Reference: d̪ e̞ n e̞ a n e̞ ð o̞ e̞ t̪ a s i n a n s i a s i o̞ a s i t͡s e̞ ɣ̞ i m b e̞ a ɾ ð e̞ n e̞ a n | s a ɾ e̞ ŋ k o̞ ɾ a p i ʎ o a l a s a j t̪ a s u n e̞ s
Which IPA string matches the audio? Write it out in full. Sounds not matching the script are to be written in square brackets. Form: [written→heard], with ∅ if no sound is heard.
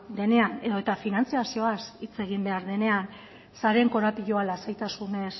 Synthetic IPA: d̪ e̞ n e̞ a n e̞ ð o̞ e̞ t̪ a [s→f] i n a n [s→t͡s] i a s i o̞ a s i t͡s e̞ ɣ̞ i m b e̞ a ɾ ð e̞ n e̞ a n | s a ɾ e̞ ŋ k o̞ ɾ a p i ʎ o a l a s a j t̪ a s u n e̞ s